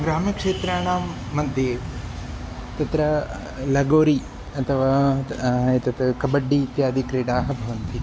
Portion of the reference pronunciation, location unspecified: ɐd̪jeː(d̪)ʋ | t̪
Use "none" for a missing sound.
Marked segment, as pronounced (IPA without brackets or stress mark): none